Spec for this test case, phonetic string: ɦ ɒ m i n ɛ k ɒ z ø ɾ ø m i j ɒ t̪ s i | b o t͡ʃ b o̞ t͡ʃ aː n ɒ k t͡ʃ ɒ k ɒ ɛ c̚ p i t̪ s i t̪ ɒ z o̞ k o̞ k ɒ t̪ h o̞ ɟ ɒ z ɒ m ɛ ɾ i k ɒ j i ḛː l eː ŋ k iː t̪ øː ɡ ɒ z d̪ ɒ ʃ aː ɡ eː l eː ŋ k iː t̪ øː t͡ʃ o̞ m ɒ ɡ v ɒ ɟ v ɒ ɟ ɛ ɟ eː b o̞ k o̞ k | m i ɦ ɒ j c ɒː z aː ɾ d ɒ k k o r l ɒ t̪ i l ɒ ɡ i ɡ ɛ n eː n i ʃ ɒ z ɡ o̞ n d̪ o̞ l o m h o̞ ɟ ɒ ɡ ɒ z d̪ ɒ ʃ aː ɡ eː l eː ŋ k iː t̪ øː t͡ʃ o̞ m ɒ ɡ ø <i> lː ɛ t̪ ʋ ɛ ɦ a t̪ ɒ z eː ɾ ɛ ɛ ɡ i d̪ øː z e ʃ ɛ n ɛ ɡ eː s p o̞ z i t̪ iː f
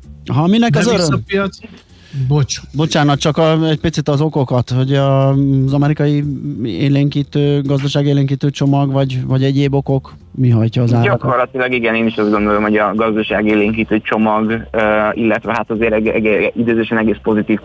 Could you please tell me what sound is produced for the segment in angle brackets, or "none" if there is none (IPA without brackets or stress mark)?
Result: i